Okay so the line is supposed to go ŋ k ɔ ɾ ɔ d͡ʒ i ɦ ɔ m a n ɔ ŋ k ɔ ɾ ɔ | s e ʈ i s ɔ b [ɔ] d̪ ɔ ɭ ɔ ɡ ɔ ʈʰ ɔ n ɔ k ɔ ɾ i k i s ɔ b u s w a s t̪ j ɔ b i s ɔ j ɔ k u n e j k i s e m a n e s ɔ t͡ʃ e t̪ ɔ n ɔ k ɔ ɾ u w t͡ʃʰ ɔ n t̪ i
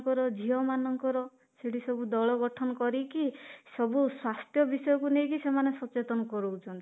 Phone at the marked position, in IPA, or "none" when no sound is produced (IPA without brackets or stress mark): u